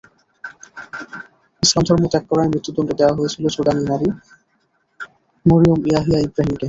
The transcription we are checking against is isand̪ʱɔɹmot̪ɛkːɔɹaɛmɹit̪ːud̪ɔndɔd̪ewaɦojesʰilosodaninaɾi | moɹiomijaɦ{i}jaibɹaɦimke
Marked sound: correct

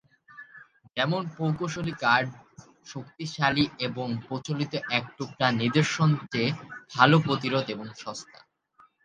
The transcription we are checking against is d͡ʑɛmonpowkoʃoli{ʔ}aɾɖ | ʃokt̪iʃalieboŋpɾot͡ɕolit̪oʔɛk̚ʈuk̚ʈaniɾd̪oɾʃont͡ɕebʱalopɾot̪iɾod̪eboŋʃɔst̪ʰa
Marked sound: incorrect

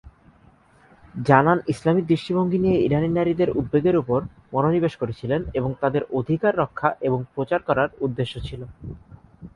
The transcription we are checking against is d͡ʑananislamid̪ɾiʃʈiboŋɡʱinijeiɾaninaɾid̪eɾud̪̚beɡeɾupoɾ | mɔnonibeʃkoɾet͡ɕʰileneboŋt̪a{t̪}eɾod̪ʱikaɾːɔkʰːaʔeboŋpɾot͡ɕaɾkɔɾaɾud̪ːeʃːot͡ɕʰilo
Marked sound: incorrect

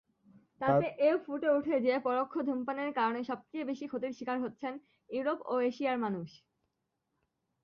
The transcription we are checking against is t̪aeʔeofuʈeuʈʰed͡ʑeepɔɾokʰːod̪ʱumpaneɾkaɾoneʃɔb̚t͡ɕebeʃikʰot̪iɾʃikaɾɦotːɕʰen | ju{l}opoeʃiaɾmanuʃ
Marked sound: incorrect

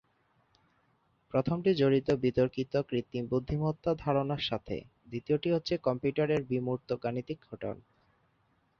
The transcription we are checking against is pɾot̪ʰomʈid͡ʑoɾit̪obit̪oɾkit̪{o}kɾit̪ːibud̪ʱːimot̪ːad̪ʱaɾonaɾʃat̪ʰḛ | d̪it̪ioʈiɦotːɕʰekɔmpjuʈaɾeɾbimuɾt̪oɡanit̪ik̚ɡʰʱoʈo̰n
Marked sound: correct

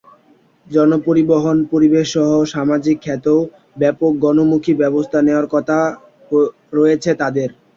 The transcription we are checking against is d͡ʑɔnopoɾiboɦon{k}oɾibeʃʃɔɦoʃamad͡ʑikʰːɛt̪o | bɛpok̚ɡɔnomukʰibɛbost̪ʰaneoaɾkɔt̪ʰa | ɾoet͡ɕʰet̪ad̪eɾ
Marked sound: incorrect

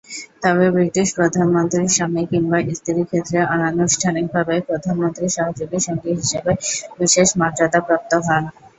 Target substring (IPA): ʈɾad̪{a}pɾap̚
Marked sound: correct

